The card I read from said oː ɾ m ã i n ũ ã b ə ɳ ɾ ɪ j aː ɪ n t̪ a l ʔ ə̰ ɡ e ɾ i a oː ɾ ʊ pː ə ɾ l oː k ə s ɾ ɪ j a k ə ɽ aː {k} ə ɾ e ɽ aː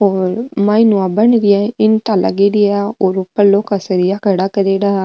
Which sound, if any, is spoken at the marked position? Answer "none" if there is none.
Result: k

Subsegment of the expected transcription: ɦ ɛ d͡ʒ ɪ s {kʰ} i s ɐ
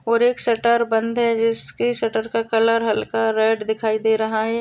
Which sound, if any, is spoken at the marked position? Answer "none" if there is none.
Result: k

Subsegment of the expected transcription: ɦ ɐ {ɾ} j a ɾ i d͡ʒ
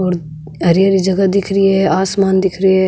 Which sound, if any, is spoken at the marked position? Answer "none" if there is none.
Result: ɾ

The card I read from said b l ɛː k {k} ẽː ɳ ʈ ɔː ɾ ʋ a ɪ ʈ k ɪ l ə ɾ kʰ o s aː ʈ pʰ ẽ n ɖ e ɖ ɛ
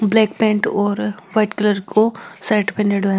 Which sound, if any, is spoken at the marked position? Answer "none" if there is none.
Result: p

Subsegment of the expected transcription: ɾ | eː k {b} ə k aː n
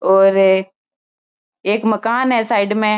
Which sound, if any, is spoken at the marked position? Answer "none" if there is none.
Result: m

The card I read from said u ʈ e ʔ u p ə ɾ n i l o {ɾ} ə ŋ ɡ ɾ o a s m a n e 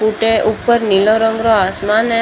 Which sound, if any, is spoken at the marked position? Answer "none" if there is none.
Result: ɾ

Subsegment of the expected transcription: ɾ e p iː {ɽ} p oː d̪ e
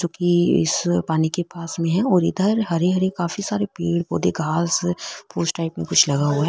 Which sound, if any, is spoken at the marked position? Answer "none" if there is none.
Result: ɽ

